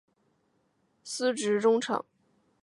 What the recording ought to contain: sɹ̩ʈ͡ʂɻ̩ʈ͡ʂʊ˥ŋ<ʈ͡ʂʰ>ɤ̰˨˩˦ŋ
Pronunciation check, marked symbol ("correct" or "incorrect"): correct